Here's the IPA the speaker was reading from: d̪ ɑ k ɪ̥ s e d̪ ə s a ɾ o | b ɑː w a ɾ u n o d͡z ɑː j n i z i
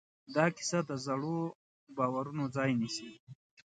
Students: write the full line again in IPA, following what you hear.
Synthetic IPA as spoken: d̪ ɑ k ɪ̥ s a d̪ ə z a ɽ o | b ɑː w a ɾ u n o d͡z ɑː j n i s i